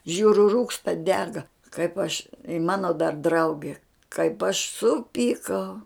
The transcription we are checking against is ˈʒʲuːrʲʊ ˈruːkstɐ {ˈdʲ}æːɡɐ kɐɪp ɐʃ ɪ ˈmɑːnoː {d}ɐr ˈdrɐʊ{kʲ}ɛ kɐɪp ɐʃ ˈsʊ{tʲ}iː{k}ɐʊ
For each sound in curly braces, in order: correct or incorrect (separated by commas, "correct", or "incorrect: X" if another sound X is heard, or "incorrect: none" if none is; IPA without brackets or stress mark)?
correct, correct, incorrect: ɡʲ, incorrect: pʲ, correct